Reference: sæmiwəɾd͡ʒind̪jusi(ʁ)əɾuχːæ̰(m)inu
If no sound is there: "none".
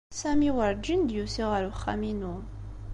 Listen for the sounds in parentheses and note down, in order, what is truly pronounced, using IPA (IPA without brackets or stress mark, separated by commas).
ʁ, m